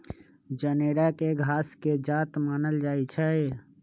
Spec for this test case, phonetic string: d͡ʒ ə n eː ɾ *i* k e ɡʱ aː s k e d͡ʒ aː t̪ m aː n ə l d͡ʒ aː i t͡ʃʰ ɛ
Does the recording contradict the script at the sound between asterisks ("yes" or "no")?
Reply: yes